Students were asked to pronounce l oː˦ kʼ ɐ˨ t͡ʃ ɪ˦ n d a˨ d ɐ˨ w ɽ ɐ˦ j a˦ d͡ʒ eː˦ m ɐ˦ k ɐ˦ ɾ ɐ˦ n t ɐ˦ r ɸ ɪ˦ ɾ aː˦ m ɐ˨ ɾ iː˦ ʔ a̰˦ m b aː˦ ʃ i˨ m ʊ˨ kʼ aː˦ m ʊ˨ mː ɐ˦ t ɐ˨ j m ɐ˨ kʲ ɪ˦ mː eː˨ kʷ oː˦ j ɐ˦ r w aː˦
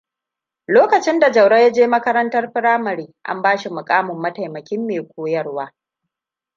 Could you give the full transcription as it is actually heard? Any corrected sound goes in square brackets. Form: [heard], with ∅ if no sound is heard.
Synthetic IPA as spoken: l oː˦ [k] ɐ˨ t͡ʃ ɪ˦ n d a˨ [d͡ʒ] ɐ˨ w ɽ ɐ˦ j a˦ d͡ʒ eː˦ m ɐ˦ k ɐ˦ ɾ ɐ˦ n t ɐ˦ r ɸ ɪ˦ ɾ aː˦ m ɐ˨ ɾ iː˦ ʔ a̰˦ m b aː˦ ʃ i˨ m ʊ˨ kʼ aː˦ m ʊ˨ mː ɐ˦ t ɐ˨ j m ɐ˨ kʲ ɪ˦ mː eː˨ kʷ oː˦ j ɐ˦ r w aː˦